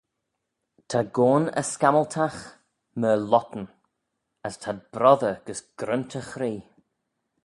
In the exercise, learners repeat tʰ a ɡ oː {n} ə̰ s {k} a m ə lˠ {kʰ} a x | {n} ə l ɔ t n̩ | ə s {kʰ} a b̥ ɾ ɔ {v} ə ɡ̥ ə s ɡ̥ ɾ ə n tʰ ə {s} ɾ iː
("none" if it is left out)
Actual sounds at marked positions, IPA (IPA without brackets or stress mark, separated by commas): n, k, tʰ, m, tʰ, ð, x